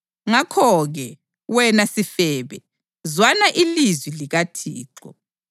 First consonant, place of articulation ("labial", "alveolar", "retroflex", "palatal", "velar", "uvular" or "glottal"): velar